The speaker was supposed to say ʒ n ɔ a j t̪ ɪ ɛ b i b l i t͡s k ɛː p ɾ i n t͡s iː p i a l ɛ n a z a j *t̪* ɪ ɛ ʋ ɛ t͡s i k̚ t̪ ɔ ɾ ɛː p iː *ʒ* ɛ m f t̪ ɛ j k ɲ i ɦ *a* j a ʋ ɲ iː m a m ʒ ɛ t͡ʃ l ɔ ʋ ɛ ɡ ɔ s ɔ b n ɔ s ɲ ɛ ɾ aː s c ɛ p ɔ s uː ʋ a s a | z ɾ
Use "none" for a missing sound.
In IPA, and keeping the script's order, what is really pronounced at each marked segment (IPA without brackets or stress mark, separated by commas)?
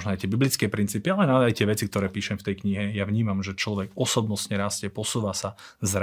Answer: t̪, ʃ, ɛ